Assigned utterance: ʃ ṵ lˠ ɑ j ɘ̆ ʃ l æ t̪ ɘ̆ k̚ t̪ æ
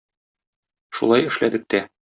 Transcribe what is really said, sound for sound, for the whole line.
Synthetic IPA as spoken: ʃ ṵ lˠ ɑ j ɘ̆ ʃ l æ d̪ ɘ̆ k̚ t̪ æ